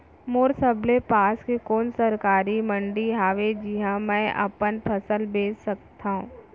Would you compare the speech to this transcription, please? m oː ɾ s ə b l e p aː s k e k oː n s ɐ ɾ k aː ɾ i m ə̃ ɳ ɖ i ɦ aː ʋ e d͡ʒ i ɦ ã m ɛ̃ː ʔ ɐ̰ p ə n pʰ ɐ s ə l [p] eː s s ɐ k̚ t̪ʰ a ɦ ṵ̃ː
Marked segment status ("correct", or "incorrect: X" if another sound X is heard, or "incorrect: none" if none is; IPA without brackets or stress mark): incorrect: b